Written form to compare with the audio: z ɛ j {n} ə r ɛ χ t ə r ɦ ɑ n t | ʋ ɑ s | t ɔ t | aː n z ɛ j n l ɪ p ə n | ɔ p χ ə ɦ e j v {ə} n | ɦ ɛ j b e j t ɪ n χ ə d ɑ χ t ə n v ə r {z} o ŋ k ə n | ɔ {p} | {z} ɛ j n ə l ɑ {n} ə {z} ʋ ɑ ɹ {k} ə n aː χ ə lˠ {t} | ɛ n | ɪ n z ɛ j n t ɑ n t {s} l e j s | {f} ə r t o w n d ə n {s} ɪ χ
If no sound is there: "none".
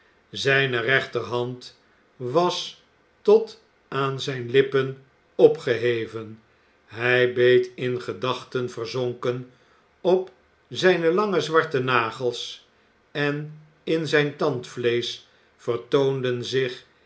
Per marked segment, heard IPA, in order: n, ə, z, p, z, ŋ, z, t, s, f, f, z

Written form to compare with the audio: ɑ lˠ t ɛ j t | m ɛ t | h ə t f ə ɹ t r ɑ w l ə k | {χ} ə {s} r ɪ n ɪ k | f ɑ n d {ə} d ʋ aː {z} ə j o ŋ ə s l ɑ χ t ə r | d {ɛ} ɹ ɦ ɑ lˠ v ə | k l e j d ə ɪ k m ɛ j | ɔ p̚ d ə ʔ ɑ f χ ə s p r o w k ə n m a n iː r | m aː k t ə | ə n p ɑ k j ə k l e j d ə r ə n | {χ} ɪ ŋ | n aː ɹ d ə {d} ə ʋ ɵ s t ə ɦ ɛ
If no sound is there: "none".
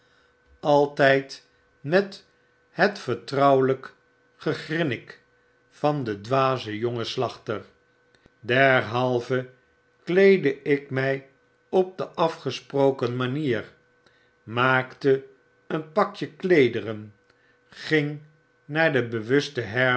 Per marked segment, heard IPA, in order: χ, χ, ə, z, ɛ, χ, b

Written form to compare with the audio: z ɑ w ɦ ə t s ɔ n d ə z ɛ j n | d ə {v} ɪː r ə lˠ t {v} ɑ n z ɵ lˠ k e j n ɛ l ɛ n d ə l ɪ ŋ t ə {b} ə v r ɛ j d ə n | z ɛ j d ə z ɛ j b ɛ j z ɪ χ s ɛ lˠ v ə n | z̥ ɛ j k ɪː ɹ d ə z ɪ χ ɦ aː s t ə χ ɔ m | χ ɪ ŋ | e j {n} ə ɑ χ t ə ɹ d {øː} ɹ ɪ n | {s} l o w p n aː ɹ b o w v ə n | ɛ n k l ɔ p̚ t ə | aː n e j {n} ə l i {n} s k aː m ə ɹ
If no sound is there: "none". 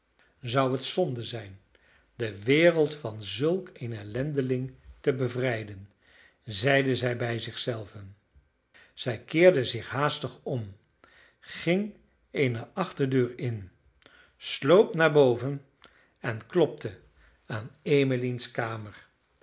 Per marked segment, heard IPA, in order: ʋ, f, b, n, øː, s, m, n

